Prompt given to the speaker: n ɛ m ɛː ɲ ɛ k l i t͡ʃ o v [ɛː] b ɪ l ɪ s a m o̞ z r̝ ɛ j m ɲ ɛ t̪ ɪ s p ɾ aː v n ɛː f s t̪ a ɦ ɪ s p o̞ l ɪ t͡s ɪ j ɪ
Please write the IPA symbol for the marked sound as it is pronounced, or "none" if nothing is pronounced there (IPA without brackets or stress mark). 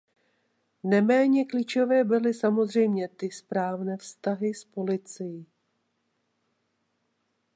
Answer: ɛː